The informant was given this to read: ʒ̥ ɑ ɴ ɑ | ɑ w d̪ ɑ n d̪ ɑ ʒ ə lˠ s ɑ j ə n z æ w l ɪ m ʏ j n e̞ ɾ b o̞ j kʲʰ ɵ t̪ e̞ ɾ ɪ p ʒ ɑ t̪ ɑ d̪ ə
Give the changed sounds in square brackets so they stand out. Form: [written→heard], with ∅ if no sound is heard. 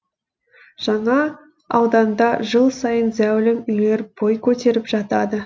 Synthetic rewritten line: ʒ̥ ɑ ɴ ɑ | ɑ w d̪ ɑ n d̪ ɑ ʒ ə lˠ s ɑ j ə n z æ w l ɪ m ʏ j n e̞ ɾ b o̞ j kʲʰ ɵ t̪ e̞ ɾ ɪ p ʒ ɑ t̪ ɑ d̪ ə

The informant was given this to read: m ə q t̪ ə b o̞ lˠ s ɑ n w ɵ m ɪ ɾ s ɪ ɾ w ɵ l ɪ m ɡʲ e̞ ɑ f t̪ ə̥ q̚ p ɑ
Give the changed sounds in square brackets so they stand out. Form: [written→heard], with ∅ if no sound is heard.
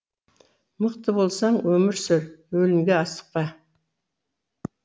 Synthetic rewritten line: m ə q t̪ ə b o̞ lˠ s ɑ [n→ɴ] w ɵ m ɪ ɾ s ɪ ɾ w ɵ l ɪ m ɡʲ e̞ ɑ [f→s] t̪ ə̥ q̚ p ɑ

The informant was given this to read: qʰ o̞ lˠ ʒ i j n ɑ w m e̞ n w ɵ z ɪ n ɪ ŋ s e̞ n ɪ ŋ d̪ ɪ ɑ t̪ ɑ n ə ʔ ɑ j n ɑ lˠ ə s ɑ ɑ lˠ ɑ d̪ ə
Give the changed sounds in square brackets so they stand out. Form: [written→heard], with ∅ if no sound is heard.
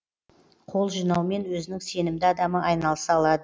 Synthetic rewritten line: qʰ o̞ lˠ ʒ i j n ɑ w m e̞ n w ɵ z ɪ n ɪ ŋ s e̞ n ɪ [ŋ→m] d̪ ɪ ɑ [t̪→d̪] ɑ [n→m] ə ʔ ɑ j n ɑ lˠ ə s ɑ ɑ lˠ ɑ d̪ ə

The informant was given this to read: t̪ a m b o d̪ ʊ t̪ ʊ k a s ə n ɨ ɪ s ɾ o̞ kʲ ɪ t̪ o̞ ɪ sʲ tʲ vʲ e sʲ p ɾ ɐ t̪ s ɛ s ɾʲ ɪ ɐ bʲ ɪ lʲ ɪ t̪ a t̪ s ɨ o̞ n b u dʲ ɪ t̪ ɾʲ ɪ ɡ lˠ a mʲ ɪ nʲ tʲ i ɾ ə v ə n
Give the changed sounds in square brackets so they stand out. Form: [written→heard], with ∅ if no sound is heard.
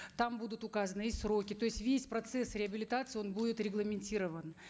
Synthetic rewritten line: t̪ a m b [o→u] d̪ ʊ t̪ ʊ k a [s→z] ə n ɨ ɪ s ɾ o̞ kʲ ɪ t̪ o̞ ɪ sʲ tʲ vʲ e sʲ p ɾ ɐ t̪ s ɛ s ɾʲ ɪ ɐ bʲ ɪ lʲ ɪ t̪ a t̪ s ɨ o̞ n b u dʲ ɪ t̪ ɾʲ ɪ ɡ lˠ [a→ə] mʲ ɪ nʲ tʲ i ɾ ə v ə n

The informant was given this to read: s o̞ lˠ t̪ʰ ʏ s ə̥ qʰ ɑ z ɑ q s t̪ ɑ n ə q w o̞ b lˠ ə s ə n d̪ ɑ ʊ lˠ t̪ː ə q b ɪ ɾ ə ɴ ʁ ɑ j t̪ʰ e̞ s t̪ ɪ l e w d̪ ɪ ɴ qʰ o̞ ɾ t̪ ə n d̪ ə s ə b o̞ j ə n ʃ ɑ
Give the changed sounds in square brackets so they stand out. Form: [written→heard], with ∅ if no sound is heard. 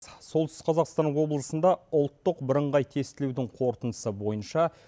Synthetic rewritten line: s o̞ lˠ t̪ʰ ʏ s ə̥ qʰ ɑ z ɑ q s t̪ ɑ n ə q w o̞ b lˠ ə s ə n d̪ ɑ ʊ lˠ t̪ː ə q b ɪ ɾ ə ɴ ʁ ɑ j t̪ʰ e̞ s t̪ ɪ l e w d̪ ɪ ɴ qʰ o̞ ɾ t̪ ə n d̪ ə s ə b o̞ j ə n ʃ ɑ

